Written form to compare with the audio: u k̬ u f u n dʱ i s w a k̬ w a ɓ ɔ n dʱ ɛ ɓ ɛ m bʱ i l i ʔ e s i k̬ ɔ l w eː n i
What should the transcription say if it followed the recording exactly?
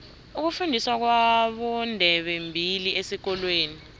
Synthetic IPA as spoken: u k̬ u f u n dʱ i s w a k̬ w a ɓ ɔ n dʱ ɛ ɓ ɛ m bʱ i l i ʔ e s i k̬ ɔ l w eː n i